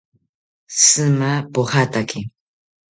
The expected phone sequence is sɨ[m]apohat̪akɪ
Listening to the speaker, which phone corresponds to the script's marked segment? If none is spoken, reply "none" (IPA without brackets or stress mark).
m